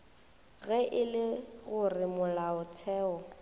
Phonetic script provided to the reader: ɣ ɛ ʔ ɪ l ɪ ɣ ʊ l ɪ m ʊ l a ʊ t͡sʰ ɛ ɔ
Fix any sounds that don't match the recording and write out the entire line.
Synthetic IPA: ɣ ɛ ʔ ɪ l ɪ ɣ ʊ r ɪ m ʊ l a ʊ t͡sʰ ɛː ɔ